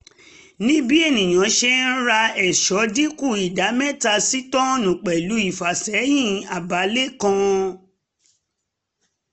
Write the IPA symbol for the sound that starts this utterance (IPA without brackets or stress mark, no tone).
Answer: n